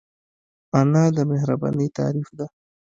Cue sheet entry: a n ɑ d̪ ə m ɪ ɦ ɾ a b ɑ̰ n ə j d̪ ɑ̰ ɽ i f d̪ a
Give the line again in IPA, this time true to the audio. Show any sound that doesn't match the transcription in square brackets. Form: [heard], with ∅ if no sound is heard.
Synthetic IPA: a n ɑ d̪ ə m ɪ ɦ ɾ a b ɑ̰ n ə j [t̪] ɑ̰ [ɾ] i f d̪ a